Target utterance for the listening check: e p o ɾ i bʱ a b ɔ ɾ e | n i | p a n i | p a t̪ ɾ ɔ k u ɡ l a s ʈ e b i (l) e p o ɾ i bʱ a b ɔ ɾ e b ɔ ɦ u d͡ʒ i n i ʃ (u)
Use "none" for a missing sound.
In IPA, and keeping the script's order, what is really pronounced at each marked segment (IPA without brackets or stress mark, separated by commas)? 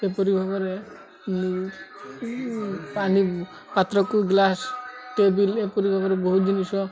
l, ɔ